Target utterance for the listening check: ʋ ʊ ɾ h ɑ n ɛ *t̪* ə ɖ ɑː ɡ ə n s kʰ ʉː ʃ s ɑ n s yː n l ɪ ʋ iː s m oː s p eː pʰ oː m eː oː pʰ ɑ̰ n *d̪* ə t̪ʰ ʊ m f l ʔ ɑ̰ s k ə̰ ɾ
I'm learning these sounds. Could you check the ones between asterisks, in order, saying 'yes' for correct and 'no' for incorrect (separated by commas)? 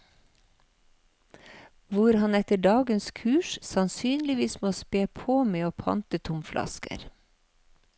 yes, no